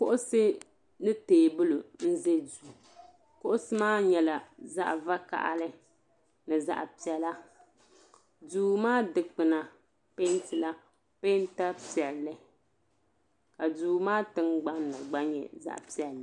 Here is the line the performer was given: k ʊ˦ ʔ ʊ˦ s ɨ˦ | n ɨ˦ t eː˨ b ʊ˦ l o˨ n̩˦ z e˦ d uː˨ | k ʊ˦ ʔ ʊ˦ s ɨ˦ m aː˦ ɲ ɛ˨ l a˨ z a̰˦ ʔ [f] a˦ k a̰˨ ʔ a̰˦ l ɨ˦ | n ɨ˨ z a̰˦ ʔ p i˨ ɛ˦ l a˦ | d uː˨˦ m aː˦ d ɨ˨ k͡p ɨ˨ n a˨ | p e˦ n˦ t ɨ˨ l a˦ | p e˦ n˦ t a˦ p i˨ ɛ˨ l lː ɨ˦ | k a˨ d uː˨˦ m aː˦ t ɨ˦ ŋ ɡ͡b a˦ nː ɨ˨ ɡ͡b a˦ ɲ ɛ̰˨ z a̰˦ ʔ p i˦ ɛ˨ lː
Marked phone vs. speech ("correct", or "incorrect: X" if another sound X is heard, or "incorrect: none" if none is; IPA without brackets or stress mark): incorrect: v